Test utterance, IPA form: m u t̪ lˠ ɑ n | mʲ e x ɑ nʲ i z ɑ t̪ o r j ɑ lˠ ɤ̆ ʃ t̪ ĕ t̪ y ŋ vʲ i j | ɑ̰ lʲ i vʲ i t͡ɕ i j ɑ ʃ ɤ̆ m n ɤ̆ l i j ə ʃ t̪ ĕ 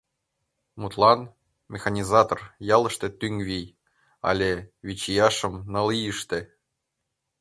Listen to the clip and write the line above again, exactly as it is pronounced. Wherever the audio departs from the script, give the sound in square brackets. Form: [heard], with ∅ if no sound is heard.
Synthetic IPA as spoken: m u t̪ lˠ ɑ n | mʲ e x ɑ nʲ i z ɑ t̪ o r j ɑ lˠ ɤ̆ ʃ t̪ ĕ t̪ y ŋ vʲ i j | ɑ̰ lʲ [e] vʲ i t͡ɕ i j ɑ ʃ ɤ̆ m n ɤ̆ l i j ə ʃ t̪ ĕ

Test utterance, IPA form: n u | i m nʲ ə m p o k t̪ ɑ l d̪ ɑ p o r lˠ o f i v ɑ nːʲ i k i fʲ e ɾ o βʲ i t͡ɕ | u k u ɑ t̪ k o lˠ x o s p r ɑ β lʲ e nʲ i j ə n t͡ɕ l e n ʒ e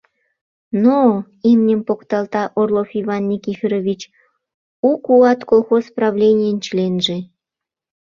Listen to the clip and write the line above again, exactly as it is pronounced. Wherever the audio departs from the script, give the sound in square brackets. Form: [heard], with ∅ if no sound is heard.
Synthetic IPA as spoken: n [o] | i m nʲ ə m p o k t̪ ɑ l [t̪] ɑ [ʔ] o r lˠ o f i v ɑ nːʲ i k i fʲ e ɾ o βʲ i t͡ɕ | u k u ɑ t̪ k o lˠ x o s p r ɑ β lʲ e nʲ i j ə n t͡ɕ l e n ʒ e

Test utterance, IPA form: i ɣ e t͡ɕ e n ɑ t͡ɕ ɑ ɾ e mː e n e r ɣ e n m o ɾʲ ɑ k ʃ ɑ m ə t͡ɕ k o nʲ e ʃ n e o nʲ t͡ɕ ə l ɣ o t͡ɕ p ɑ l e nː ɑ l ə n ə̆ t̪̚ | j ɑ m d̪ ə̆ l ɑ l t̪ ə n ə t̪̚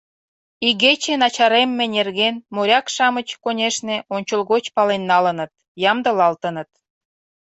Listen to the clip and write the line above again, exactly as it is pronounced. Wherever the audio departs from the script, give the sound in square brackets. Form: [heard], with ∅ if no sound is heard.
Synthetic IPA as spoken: i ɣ e t͡ɕ e n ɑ t͡ɕ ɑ ɾ e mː e n e r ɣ e n m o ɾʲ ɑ k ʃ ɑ m ə t͡ɕ k o nʲ e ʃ n e o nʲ t͡ɕ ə l ɣ o t͡ɕ p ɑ l e nː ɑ l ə n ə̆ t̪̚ | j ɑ m d̪ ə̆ l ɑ l t̪ ə n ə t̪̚

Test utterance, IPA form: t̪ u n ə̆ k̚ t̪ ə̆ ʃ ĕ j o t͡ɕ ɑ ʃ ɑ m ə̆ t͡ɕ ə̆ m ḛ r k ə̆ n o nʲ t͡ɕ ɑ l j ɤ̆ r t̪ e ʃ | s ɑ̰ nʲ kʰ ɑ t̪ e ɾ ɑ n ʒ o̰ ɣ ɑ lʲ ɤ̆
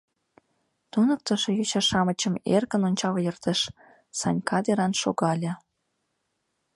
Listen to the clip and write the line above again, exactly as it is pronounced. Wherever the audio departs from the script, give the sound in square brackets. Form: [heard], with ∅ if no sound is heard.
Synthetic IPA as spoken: t̪ u n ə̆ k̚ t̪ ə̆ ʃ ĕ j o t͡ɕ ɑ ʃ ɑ m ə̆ t͡ɕ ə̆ m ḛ r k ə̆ n o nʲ t͡ɕ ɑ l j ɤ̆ r t̪ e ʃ | s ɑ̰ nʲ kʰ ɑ [d̪] e ɾ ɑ n [ʃ] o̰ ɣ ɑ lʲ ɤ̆

